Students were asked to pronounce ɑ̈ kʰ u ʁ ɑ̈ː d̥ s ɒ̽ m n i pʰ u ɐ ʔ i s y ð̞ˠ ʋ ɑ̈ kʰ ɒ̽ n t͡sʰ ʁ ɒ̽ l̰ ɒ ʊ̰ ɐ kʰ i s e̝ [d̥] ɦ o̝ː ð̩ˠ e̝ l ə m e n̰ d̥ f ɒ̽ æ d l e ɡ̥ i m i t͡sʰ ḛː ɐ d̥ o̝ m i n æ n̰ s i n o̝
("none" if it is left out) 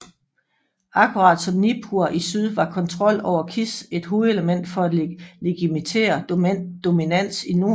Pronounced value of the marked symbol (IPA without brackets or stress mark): d̥